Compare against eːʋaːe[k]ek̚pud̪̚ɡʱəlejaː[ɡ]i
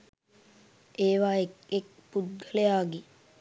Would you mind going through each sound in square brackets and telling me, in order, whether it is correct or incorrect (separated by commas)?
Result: correct, correct